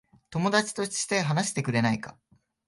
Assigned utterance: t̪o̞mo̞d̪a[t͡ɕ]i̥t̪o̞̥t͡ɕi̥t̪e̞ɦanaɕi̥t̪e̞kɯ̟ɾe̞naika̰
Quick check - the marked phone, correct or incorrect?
correct